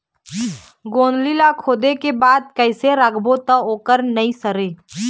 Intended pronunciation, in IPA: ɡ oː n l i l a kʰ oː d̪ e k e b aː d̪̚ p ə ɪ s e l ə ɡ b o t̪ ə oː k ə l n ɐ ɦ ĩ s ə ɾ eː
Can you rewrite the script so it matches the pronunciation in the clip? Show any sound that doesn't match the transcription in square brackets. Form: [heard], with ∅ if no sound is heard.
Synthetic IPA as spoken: ɡ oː n l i l a kʰ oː d̪ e k e b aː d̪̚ [k] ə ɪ s e [ɾ] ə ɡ b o t̪ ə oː k ə [ɾ] n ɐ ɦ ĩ s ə ɾ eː